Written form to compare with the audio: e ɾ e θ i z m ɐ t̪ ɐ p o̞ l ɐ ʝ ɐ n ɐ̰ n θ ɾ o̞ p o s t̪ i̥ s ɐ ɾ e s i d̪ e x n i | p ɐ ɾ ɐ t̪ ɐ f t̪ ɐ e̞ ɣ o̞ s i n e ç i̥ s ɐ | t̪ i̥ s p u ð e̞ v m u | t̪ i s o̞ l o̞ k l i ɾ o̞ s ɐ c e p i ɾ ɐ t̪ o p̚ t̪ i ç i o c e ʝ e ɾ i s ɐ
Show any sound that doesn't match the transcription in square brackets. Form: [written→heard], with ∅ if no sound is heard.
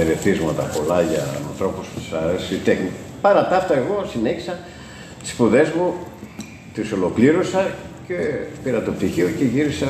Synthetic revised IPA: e ɾ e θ i z m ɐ t̪ ɐ p o̞ l ɐ ʝ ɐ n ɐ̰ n θ ɾ o̞ p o s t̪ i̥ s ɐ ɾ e s i [d̪→t̪] e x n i | p ɐ ɾ ɐ t̪ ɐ f t̪ ɐ e̞ ɣ o̞ s i n e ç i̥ s ɐ | t̪ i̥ s p u ð e̞ [v→z] m u | t̪ i s o̞ l o̞ k l i ɾ o̞ s ɐ c e p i ɾ ɐ t̪ o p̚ t̪ i ç i o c e ʝ [e→i] ɾ i s ɐ